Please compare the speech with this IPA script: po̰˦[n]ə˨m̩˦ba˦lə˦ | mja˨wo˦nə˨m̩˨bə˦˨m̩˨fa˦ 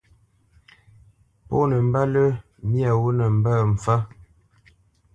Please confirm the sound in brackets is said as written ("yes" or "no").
yes